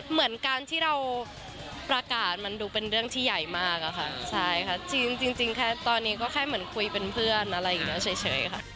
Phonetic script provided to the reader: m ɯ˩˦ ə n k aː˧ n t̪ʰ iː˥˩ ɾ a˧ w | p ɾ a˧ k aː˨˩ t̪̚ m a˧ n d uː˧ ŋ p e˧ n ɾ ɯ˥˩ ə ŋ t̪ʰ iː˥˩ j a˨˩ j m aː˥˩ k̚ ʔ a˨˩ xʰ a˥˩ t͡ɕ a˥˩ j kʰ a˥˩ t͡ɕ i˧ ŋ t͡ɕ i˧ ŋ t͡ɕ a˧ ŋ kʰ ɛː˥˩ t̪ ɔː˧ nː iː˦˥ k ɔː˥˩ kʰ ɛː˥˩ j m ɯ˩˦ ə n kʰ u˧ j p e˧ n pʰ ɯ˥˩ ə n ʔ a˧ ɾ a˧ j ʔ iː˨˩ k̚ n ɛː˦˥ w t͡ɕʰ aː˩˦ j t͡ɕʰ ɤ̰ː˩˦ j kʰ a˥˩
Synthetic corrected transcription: m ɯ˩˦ ə n k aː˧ n t̪ʰ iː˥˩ ɾ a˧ w | p ɾ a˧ k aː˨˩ t̪̚ m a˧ n d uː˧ p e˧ n ɾ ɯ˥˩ ə ŋ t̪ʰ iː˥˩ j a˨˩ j m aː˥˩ k̚ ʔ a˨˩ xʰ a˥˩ t͡ɕʰ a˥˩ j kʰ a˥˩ t͡ɕ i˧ ŋ t͡ɕ i˧ ŋ t͡ɕ i˧ ŋ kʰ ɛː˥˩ t̪ ɔː˧ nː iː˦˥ k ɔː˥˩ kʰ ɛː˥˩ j m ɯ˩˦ ə n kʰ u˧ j p e˧ n pʰ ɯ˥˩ ə n ʔ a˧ ɾ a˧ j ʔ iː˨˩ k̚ n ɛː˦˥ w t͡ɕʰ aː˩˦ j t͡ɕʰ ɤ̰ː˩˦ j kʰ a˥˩